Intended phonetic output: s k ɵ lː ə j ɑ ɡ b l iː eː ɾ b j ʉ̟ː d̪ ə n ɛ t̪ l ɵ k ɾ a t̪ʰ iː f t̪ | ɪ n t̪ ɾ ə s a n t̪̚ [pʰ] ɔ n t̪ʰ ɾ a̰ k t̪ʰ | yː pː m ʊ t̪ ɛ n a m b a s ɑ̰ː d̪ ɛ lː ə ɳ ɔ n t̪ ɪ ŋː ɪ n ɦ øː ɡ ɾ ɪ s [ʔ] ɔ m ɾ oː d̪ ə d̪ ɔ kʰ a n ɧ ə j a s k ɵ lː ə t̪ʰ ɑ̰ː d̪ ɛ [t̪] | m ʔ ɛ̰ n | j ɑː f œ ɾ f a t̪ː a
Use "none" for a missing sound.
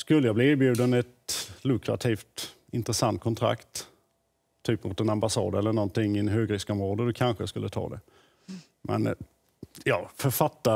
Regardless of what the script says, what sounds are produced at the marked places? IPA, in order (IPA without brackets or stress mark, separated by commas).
kʰ, k, none